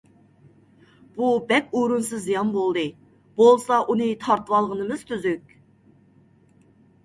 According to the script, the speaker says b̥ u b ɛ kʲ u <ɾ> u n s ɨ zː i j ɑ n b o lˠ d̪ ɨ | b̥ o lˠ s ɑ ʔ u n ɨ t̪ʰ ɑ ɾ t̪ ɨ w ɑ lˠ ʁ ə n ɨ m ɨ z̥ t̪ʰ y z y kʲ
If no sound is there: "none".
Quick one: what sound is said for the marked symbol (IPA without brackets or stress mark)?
ɾ